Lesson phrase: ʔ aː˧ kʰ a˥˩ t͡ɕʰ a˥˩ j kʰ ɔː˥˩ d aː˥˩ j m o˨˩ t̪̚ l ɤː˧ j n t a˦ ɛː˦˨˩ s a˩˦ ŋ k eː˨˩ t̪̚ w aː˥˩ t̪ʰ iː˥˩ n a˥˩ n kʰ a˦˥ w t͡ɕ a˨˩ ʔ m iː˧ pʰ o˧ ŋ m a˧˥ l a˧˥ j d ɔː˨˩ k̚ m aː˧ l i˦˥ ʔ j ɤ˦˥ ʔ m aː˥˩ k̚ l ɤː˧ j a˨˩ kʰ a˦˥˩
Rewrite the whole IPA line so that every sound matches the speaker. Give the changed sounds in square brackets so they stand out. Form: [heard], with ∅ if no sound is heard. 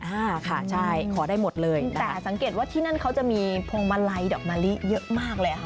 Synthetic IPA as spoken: ʔ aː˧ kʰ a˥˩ t͡ɕʰ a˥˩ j kʰ [ɔː˩˦] d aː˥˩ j m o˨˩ t̪̚ l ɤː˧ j n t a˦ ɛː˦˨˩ s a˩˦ ŋ k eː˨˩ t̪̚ w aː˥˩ t̪ʰ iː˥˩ n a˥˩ n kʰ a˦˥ w t͡ɕ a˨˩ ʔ m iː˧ pʰ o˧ ŋ m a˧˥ l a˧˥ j d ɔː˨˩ k̚ m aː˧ l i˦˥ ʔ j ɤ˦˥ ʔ m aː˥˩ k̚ l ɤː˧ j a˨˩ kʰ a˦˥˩